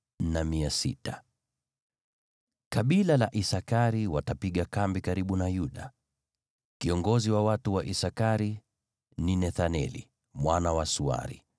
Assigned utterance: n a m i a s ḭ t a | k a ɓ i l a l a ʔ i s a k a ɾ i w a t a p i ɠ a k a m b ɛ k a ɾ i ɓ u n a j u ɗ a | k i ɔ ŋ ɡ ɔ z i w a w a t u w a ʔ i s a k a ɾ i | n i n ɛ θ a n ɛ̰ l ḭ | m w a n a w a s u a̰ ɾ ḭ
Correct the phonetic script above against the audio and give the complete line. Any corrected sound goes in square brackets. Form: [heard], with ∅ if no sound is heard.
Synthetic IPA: n a m i a s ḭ t a | k a ɓ i l a l a ʔ i s a k a ɾ i w a t a p i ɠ a k a m b [i] k a ɾ i ɓ u n a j u ɗ a | k i ɔ ŋ ɡ ɔ z i w a w a t u w a ʔ i s a k a ɾ i | n i n ɛ θ a n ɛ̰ l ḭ | m w a n a w a s u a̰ ɾ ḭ